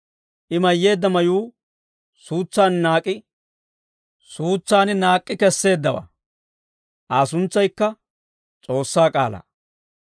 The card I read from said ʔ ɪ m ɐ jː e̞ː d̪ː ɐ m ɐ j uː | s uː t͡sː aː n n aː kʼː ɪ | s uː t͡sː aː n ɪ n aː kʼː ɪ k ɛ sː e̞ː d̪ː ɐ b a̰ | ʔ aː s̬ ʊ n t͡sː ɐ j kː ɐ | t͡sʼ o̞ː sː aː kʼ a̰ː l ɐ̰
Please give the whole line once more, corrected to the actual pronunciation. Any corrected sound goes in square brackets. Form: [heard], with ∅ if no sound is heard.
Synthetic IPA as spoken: ʔ ɪ m ɐ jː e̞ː d̪ː ɐ m ɐ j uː | s uː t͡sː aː n n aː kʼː ɪ | s uː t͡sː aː n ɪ n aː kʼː ɪ k ɛ sː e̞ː d̪ː ɐ [w] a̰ | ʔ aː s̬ ʊ n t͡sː ɐ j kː ɐ | t͡sʼ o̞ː sː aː kʼ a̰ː l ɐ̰